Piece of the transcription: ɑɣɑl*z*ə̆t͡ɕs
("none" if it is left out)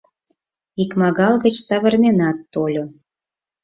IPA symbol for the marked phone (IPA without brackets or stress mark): ɣ